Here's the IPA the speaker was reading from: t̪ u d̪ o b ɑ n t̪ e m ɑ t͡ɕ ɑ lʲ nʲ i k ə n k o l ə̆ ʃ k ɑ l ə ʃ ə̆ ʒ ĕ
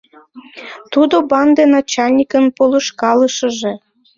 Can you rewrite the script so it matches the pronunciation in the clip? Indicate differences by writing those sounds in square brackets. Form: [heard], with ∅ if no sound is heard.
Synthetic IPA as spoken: t̪ u d̪ o b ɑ n [d̪] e [n] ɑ t͡ɕ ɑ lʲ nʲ i k ə n [p] o l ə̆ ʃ k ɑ l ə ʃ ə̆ ʒ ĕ